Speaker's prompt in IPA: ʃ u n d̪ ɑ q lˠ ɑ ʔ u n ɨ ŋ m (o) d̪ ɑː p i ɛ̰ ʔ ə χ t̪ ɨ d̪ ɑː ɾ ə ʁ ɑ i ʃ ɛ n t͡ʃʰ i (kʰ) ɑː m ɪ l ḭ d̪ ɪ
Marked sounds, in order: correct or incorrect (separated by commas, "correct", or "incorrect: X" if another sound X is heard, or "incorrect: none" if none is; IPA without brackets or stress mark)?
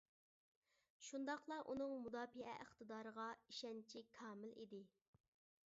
incorrect: u, correct